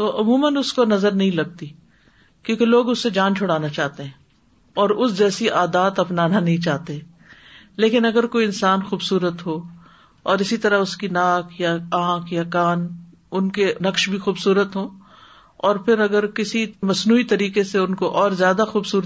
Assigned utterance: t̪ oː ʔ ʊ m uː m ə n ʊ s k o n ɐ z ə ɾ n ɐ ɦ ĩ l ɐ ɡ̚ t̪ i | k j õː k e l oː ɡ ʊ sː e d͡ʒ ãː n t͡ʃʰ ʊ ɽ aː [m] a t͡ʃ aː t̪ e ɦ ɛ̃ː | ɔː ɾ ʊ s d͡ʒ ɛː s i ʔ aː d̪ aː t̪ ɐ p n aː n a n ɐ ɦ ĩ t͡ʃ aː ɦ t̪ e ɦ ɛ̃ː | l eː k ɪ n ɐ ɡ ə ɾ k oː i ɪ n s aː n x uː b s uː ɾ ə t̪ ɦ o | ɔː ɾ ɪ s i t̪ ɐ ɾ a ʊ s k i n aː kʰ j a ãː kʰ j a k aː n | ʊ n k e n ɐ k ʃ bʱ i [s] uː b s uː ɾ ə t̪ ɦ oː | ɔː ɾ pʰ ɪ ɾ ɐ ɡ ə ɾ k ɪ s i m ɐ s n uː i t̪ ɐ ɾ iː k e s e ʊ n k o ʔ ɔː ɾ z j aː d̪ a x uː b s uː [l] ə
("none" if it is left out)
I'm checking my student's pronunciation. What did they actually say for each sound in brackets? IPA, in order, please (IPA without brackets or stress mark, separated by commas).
n, x, ɾ